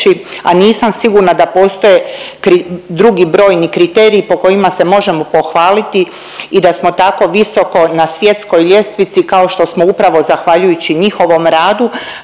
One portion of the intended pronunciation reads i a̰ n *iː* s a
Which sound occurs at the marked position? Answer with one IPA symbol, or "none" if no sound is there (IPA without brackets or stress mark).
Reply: iː